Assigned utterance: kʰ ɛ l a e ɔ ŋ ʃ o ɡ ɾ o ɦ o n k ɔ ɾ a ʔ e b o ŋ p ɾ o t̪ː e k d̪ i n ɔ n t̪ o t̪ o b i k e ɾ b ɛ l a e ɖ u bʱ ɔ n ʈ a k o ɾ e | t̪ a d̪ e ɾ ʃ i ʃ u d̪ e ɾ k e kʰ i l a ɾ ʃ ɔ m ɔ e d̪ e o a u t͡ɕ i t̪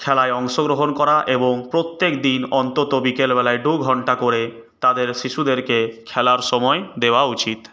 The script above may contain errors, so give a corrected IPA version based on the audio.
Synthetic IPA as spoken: kʰ ɛ l a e ɔ ŋ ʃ o ɡ ɾ o ɦ o n k ɔ ɾ a ʔ e b o ŋ p ɾ o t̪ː e k d̪ i n ɔ n t̪ o t̪ o b i k e l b ɛ l a e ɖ u ɡʱ ɔ ɳ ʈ a k o ɾ e | t̪ a d̪ e ɾ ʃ i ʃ u d̪ e ɾ k e kʰ ɛ l a ɾ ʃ ɔ m ɔ e d̪ e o a u t͡ɕ i t̪